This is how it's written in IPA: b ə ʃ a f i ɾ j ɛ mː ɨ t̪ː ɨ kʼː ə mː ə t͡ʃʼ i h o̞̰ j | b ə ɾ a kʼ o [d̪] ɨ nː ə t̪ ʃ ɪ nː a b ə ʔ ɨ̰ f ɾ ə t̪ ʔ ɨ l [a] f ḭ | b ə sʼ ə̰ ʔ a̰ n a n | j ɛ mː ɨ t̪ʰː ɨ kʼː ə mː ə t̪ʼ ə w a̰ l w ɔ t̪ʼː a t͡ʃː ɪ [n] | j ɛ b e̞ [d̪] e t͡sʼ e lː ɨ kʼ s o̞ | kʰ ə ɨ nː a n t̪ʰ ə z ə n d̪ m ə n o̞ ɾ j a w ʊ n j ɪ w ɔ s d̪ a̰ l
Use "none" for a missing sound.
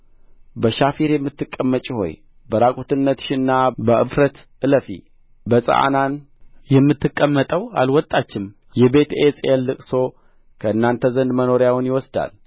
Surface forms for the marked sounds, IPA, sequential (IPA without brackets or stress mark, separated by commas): t̪, ə, m, t̪